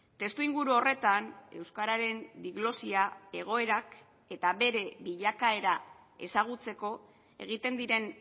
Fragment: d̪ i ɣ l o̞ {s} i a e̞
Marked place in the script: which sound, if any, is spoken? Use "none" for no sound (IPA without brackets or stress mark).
s